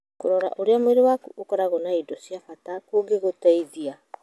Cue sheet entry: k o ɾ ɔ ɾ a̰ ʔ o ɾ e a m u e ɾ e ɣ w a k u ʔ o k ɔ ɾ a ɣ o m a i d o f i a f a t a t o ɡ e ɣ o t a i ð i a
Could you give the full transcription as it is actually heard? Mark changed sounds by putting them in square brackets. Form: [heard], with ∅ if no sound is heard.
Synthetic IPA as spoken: k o ɾ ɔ ɾ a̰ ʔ o ɾ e a m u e ɾ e [∅] w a k u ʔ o k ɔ ɾ a ɣ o [n] a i d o [s] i a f a t a [k] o ɡ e ɣ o t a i ð i a